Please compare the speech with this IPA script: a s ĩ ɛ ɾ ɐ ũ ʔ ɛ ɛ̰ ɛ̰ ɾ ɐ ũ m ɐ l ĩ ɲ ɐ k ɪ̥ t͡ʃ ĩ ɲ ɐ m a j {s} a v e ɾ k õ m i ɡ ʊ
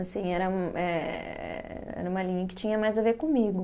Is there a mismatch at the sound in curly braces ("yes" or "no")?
yes